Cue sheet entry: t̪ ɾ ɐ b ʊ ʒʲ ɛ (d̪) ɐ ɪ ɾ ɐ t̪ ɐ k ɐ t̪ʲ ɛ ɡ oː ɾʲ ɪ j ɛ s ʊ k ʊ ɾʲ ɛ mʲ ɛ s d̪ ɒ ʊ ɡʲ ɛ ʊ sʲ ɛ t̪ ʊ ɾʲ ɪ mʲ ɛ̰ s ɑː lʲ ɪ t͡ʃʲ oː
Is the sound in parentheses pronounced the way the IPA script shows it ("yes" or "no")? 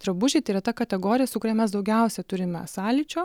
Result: no